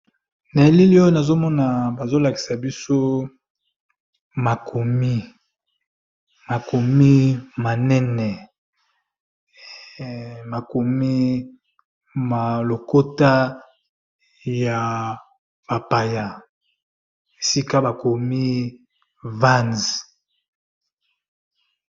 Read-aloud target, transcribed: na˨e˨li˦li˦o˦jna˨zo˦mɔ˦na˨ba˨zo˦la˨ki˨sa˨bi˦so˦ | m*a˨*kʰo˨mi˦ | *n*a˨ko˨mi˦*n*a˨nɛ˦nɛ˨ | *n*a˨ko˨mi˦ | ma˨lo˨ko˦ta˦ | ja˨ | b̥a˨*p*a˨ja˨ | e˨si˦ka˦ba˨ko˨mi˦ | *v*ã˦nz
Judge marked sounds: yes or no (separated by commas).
yes, no, no, no, yes, yes